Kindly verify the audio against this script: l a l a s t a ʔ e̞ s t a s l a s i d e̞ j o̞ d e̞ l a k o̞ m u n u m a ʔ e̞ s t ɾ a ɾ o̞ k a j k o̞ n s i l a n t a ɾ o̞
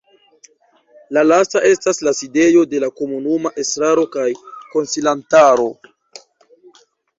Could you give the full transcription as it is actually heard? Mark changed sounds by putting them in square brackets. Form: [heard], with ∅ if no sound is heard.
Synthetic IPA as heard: l a l a s t a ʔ e̞ s t a s l a s i d e̞ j o̞ d e̞ l a k o̞ m u n u m a ʔ e̞ s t ɾ a ɾ o̞ k a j k o̞ n s i l a n t a ɾ o̞